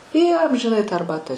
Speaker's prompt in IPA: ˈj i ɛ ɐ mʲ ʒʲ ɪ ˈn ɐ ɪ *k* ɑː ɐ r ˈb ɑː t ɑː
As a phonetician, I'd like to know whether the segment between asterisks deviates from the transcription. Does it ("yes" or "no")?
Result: yes